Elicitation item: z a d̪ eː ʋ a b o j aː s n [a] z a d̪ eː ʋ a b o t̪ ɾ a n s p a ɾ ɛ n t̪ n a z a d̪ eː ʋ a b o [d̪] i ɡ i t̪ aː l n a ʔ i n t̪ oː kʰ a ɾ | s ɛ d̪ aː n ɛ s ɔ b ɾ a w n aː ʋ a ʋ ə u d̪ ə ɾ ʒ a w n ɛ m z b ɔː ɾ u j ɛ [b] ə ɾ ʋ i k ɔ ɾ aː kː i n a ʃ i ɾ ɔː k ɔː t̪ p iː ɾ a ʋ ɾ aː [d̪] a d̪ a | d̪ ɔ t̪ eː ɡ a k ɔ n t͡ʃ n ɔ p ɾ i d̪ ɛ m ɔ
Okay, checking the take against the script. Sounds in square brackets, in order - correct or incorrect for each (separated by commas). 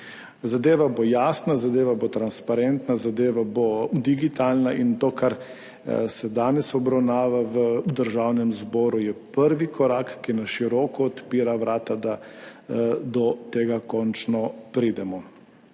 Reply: correct, correct, incorrect, incorrect